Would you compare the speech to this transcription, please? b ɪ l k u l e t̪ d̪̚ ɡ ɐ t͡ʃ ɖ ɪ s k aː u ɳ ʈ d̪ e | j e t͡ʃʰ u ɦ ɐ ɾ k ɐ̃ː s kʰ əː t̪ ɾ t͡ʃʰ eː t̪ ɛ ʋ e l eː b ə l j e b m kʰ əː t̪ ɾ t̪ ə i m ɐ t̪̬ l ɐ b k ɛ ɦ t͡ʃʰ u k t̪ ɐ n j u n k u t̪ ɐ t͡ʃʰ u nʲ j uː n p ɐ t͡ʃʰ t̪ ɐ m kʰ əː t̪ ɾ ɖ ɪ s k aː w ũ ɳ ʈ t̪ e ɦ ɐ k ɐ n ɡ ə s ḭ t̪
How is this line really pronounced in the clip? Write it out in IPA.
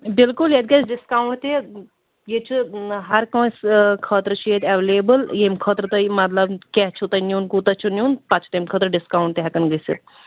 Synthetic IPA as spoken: b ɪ l k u l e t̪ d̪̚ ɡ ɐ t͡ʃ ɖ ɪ s k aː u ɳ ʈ t̪ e | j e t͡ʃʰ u ɦ ɐ ɾ k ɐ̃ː s kʰ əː t̪ ɾ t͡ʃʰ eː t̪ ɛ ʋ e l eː b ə l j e m kʰ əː t̪ ɾ t̪ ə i m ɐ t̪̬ l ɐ b k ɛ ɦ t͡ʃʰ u t̪ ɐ n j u n k u t̪ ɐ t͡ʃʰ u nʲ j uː n p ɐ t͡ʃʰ t̪ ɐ m kʰ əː t̪ ɾ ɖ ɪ s k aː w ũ ɳ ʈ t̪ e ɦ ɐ k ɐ n ɡ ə s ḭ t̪